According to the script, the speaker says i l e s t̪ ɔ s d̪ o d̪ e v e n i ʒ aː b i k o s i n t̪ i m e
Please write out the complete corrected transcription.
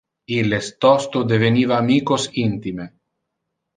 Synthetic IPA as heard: i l e s t̪ ɔ s t̪ o d̪ e v e n i v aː m i k o s i n t̪ i m e